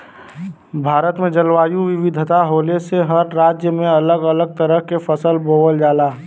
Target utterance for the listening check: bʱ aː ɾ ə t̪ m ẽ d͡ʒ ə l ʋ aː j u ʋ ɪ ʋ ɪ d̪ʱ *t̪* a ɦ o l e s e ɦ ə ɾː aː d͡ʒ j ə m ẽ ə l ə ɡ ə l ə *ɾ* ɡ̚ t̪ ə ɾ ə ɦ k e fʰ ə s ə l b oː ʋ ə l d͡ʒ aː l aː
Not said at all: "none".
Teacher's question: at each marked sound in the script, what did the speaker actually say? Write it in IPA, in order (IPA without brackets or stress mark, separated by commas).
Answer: t̪, none